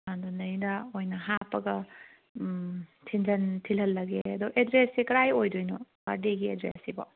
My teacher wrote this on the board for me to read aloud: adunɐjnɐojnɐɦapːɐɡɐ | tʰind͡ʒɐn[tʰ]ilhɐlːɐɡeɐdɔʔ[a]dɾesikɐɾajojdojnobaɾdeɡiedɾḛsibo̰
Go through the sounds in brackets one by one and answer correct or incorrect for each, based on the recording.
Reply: correct, incorrect

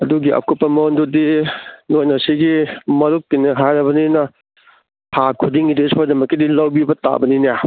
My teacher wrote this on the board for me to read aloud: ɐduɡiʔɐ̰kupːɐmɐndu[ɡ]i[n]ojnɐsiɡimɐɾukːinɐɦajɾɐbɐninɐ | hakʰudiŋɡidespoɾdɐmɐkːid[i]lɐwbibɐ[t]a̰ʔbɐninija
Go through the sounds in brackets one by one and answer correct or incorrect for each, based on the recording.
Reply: incorrect, correct, correct, correct

